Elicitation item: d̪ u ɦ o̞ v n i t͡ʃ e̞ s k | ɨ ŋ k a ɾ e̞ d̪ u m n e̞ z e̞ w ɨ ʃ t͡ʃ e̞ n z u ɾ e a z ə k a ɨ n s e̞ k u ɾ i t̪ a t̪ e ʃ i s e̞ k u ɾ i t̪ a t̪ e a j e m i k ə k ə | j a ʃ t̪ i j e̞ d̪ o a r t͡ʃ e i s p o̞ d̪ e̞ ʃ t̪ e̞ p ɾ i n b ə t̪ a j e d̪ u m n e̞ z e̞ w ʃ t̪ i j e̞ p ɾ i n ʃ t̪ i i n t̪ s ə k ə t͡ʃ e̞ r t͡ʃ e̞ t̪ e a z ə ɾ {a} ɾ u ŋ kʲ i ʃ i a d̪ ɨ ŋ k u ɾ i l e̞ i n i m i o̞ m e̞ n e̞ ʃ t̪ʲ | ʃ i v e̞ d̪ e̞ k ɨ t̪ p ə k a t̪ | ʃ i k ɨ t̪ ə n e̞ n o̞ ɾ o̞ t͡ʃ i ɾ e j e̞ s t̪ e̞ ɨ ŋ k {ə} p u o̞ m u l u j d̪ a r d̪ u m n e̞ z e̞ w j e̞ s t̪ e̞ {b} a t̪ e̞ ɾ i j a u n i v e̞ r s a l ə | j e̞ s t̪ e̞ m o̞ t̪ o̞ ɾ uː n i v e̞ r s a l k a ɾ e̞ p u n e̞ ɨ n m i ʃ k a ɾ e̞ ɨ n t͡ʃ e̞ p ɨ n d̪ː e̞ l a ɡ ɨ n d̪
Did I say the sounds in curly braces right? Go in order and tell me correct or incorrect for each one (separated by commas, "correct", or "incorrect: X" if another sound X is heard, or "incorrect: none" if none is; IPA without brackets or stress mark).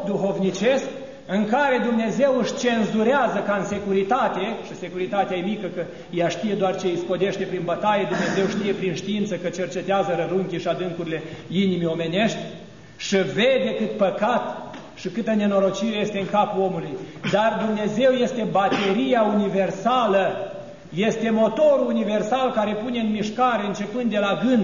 incorrect: ə, incorrect: a, correct